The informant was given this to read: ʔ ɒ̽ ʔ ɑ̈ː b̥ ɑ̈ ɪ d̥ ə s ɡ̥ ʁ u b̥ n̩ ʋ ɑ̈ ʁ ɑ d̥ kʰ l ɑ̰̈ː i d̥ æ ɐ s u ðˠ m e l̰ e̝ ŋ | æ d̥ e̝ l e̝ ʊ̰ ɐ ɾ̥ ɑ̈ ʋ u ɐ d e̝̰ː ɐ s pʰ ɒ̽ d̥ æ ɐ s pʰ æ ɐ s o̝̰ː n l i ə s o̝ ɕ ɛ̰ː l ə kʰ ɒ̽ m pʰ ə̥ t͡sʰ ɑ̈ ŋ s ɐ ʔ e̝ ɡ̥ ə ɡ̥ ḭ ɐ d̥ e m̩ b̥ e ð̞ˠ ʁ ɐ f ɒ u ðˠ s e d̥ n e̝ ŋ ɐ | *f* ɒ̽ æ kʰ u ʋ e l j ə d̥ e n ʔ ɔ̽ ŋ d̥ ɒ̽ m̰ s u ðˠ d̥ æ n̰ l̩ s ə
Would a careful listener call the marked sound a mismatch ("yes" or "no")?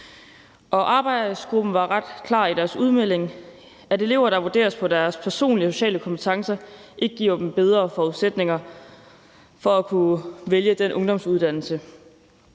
no